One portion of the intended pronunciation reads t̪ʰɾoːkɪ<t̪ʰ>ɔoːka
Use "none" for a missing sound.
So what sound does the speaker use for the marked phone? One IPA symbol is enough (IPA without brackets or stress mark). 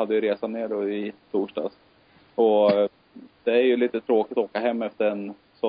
t̪